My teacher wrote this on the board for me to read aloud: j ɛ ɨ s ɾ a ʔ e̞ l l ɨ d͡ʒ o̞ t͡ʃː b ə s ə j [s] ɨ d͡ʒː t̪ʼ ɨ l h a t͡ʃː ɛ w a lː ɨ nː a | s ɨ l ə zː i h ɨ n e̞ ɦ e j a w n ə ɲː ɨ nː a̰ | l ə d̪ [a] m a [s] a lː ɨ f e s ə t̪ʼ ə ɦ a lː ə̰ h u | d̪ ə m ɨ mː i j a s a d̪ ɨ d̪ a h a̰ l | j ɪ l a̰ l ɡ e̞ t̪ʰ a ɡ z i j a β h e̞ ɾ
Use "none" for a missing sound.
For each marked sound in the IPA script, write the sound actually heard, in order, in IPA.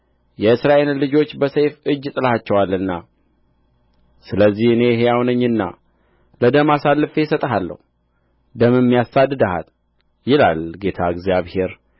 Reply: f, ə, s

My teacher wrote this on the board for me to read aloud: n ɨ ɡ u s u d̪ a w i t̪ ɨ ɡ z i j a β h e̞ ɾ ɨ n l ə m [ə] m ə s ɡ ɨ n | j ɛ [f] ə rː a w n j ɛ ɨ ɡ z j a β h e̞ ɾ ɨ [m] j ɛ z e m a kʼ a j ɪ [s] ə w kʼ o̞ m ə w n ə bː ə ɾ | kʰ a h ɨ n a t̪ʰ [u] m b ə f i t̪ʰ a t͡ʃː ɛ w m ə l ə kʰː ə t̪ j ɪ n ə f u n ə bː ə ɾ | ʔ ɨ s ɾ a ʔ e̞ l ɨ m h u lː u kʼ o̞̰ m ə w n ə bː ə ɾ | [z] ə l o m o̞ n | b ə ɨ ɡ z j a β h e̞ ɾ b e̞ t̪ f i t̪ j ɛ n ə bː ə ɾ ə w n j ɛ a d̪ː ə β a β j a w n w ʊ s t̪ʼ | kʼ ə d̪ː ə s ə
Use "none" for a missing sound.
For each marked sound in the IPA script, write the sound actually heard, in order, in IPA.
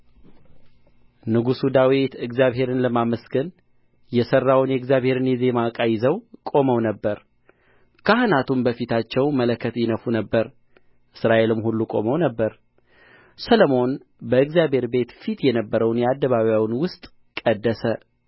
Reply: a, s, n, z, u, s

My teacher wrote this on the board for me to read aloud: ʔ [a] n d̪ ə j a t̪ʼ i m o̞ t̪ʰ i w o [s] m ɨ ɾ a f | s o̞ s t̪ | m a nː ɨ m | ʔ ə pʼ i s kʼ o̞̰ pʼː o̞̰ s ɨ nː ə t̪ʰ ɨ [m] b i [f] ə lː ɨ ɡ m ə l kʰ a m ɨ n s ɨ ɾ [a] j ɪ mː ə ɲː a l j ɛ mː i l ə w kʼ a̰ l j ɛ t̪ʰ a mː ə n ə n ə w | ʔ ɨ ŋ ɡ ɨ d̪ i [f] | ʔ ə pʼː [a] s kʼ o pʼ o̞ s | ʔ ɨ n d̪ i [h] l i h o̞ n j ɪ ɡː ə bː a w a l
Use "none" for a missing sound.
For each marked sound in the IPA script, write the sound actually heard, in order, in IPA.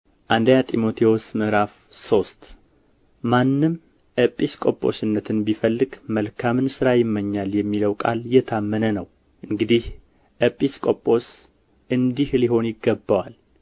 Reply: a, s, n, f, a, h, i, h

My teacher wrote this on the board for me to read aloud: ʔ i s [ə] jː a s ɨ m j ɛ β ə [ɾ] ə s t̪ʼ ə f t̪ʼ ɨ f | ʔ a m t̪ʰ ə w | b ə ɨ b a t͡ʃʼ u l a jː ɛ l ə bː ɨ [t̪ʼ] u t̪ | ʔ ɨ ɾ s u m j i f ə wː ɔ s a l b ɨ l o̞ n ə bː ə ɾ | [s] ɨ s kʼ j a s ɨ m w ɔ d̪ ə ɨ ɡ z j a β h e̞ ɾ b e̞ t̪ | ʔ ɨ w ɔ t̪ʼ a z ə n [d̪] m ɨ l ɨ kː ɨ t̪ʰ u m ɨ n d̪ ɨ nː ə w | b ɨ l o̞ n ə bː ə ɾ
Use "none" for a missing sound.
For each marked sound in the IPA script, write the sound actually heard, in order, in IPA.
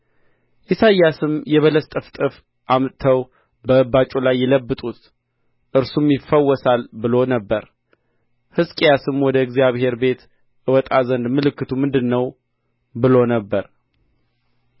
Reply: a, l, t̪ʼ, h, d̪

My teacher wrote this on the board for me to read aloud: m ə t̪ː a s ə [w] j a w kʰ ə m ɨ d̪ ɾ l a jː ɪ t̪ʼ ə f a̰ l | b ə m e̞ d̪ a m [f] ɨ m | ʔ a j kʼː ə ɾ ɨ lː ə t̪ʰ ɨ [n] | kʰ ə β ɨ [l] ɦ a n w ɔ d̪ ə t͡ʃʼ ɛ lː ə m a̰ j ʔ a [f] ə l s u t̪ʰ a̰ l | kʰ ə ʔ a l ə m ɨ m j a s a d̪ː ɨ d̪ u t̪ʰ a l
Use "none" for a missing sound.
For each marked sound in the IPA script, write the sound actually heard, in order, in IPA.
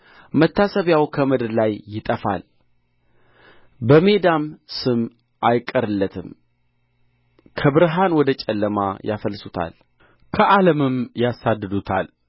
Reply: β, s, m, ɾ, f

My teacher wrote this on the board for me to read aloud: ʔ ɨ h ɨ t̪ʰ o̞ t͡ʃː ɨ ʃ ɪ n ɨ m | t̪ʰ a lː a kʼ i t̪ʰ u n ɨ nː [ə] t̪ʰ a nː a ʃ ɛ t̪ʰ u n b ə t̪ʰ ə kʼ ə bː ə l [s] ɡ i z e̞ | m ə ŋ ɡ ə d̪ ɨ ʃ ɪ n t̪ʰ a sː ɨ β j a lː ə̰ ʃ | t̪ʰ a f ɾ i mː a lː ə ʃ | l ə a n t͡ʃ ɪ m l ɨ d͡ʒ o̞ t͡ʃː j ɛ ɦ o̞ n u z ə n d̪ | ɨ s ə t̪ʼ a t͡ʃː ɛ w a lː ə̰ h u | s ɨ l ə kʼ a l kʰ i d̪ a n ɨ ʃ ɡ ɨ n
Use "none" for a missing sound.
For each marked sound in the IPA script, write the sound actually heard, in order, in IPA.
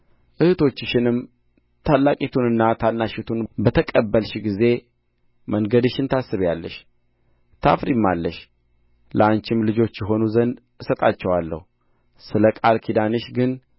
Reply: a, ʃ

